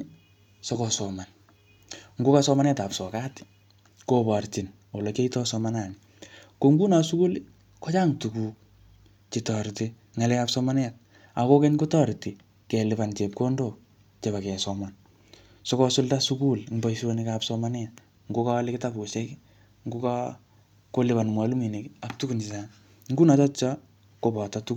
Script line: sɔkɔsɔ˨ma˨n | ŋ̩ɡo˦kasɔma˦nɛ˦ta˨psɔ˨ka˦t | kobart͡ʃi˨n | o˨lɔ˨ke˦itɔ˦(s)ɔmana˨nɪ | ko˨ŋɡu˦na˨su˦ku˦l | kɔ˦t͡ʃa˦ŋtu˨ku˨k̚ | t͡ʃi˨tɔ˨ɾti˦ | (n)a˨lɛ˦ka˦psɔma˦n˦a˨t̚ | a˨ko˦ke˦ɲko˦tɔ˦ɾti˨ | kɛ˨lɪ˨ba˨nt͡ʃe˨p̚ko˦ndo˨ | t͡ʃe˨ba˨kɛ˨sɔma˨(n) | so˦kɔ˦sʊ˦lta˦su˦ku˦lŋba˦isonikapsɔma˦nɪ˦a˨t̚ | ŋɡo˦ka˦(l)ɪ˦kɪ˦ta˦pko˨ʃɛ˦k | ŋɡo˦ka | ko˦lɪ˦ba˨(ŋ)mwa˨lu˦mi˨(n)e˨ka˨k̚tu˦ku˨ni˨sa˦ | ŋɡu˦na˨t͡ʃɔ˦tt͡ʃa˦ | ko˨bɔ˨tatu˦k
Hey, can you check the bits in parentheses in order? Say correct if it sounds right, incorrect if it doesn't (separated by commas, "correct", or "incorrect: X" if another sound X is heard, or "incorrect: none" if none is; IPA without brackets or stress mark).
correct, incorrect: ŋ, correct, correct, incorrect: n, correct